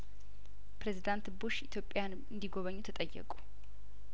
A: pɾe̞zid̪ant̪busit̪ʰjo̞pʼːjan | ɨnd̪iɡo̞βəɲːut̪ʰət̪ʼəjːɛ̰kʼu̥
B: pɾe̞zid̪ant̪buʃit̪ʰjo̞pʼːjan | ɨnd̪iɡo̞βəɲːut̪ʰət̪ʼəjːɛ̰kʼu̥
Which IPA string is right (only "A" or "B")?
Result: B